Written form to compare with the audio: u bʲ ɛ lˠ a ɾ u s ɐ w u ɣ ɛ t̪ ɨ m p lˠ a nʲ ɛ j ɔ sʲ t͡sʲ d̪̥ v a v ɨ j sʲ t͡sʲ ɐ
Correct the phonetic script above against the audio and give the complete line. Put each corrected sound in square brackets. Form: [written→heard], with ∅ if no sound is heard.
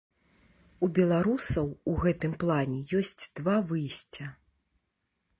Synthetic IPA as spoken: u bʲ ɛ lˠ a ɾ u s ɐ w u ɣ ɛ t̪ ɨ m p lˠ a nʲ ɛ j ɔ sʲ t͡sʲ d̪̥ v a v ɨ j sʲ t͡sʲ ɐ